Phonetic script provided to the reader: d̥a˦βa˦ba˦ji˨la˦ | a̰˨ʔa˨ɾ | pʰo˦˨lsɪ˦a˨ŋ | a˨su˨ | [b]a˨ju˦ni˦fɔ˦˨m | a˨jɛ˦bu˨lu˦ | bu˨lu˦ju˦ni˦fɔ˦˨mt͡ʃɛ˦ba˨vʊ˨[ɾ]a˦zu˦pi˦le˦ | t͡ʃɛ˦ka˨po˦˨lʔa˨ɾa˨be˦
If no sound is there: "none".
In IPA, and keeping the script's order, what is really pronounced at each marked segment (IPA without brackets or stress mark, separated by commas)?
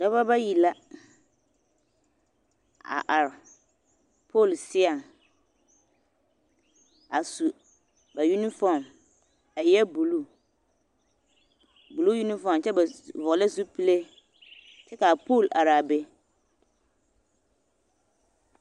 b, l